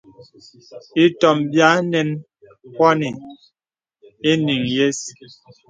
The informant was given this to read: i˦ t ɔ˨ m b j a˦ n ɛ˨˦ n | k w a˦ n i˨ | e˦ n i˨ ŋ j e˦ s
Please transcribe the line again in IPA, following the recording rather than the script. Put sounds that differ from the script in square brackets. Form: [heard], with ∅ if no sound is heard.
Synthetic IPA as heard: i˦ t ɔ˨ m b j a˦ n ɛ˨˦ n | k w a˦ n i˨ | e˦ n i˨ ŋ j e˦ s